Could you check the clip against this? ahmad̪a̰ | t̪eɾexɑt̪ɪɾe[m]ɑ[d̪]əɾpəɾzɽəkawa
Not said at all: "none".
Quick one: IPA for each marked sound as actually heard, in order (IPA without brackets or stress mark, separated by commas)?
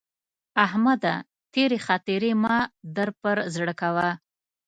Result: m, d̪